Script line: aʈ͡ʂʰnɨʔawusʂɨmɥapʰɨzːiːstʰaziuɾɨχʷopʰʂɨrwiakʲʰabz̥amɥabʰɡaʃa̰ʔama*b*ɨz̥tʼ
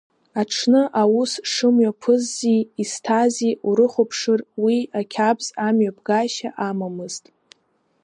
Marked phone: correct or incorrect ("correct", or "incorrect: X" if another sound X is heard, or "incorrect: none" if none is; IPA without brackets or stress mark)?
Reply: incorrect: m